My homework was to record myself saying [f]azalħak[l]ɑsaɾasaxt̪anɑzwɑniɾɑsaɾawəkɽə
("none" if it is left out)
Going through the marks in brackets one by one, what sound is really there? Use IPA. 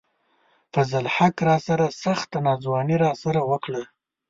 f, ɾ

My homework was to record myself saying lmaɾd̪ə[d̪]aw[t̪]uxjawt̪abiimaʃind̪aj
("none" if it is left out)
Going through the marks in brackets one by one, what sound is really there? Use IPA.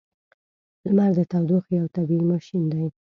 t̪, d̪

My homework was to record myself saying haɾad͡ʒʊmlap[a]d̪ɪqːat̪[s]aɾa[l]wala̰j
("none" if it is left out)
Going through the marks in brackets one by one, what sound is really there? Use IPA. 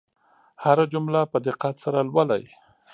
ə, s, l

